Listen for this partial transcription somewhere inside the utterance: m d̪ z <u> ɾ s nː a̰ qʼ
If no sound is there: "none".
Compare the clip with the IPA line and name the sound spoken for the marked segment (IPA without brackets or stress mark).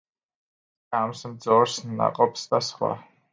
ɔ